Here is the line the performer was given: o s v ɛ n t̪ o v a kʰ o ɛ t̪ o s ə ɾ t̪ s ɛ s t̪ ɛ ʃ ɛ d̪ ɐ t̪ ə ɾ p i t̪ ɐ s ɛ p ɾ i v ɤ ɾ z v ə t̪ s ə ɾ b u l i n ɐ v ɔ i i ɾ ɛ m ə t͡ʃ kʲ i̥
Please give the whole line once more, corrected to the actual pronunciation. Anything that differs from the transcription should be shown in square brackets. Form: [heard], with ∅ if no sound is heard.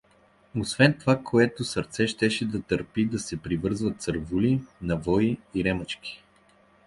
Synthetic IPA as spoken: o s v ɛ n t̪ o v a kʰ o ɛ t̪ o s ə ɾ t̪ s ɛ [ʃ] t̪ ɛ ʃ ɛ d̪ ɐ t̪ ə ɾ p i [d̪] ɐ s ɛ p ɾ i v ɤ ɾ z v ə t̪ s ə ɾ [v] u l i n ɐ v ɔ i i ɾ ɛ m ə t͡ʃ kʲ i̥